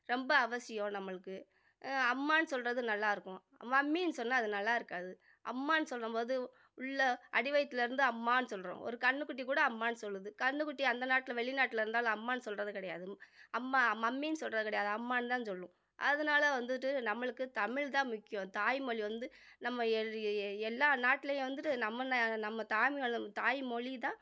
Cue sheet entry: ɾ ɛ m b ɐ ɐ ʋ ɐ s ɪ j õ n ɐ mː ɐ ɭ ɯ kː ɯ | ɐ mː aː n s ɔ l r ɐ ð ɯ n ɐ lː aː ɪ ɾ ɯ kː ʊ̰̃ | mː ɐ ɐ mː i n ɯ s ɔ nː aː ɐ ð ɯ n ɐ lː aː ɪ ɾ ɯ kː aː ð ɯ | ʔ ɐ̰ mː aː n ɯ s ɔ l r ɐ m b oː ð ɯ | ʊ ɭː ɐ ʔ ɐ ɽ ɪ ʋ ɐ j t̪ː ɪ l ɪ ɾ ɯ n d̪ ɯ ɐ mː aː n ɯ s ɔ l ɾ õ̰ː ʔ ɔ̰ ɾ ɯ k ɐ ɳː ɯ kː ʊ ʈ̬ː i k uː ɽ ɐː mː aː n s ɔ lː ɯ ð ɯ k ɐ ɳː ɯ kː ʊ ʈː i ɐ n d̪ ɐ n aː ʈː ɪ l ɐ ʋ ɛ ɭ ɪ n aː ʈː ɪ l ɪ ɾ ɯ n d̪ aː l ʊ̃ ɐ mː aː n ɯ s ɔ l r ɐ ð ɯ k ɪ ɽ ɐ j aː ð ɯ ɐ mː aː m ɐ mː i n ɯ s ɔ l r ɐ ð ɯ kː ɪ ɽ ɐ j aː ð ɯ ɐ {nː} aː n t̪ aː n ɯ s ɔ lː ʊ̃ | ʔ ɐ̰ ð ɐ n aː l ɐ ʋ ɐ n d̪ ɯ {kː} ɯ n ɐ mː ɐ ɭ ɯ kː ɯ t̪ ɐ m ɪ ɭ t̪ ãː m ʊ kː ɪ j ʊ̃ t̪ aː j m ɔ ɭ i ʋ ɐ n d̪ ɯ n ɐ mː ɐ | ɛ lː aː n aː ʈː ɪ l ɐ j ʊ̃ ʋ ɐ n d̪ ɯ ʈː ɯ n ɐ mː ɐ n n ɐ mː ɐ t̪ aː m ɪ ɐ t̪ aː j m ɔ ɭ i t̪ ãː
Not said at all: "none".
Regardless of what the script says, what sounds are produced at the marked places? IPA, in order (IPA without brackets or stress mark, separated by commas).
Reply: mː, ʈː